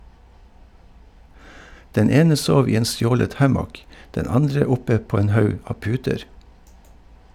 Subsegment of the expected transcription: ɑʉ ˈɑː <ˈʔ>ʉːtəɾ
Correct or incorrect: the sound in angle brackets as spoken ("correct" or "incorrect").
incorrect